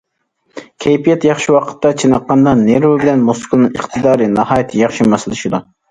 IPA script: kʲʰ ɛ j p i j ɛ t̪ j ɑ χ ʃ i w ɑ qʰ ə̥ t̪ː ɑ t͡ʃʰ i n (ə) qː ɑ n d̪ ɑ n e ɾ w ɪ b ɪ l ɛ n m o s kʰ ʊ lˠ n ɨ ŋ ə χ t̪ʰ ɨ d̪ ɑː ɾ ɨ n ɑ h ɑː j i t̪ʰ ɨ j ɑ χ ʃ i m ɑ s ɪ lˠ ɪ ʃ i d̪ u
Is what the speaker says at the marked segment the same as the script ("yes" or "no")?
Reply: no